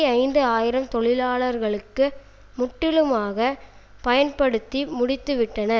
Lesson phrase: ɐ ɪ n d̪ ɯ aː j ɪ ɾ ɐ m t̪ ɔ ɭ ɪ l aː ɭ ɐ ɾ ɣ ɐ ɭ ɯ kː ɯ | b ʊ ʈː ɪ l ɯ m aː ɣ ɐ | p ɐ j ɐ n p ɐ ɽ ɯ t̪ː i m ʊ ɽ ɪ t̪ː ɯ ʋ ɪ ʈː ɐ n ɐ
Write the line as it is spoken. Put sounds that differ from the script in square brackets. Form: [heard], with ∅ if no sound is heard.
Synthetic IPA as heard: ɐ ɪ n d̪ ɯ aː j ɪ ɾ ɐ m t̪ ɔ ɭ ɪ l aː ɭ ɐ ɾ ɣ ɐ ɭ ɯ kː ɯ | [m] ʊ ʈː ɪ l ɯ m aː ɣ ɐ | p ɐ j ɐ n p ɐ ɽ ɯ t̪ː i m ʊ ɽ ɪ t̪ː ɯ ʋ ɪ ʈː ɐ n ɐ